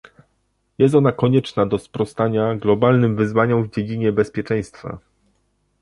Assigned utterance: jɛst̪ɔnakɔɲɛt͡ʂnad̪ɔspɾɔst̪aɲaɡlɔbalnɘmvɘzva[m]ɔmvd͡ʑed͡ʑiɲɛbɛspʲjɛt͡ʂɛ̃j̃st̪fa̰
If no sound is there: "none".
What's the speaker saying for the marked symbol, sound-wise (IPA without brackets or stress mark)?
ɲ